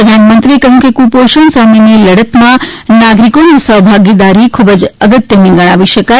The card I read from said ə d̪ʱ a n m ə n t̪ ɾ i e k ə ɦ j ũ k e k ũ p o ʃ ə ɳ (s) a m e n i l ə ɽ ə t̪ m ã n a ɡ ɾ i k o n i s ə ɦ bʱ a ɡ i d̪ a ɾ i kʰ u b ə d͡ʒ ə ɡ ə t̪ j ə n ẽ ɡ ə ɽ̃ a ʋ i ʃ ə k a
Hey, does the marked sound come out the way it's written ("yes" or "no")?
yes